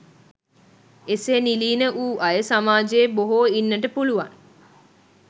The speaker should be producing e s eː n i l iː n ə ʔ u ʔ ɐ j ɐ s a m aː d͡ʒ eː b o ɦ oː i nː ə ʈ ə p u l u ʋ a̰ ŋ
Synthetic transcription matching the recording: e s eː n i l iː n ə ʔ uː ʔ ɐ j ə s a m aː d͡ʒ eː b o ɦ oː i nː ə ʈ ə p u l u ʋ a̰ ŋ